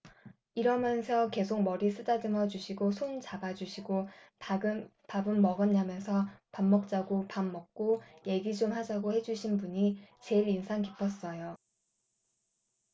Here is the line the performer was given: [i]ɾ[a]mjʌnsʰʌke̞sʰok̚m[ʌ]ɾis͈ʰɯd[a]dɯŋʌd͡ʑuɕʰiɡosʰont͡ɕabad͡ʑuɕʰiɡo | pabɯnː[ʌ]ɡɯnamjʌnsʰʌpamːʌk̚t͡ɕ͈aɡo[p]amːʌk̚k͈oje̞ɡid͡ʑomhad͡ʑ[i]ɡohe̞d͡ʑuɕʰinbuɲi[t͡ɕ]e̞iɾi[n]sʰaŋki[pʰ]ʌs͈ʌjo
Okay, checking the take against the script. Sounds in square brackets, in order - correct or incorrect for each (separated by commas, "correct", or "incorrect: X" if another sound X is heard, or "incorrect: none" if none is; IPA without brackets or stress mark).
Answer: correct, incorrect: ʌ, correct, correct, correct, correct, incorrect: a, correct, correct, correct